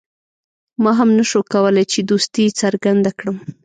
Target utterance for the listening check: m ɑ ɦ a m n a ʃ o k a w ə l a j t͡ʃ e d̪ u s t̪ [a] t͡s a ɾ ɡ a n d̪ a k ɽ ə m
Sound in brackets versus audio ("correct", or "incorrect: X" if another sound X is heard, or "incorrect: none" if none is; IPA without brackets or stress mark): incorrect: i